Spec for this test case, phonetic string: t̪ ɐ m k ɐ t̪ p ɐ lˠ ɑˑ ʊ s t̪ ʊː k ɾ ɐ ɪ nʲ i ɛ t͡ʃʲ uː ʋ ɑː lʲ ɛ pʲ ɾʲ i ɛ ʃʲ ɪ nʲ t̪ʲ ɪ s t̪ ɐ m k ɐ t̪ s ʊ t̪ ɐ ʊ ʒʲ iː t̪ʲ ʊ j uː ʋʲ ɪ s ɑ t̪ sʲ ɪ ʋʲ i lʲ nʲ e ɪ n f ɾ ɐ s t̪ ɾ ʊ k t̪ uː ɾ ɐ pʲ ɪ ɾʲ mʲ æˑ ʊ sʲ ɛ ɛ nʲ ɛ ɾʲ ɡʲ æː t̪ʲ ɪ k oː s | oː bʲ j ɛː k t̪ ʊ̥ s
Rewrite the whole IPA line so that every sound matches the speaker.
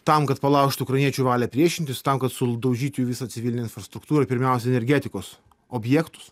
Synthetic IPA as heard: t̪ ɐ m k ɐ t̪ p ɐ lˠ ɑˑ ʊ ʃ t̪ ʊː k ɾ ɐ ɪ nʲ i ɛ t͡ʃʲ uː ʋ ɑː lʲ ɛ pʲ ɾʲ i ɛ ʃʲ ɪ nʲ t̪ʲ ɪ s t̪ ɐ m k ɐ t̪ s ʊ d̪ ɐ ʊ ʒʲ iː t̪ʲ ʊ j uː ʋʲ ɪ s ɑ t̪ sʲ ɪ ʋʲ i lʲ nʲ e ɪ n f ɾ ɐ s t̪ ɾ ʊ k t̪ uː ɾ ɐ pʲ ɪ ɾʲ mʲ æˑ ʊ sʲ ɛ ɛ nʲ ɛ ɾʲ ɡʲ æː t̪ʲ ɪ k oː s | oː bʲ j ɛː k t̪ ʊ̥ s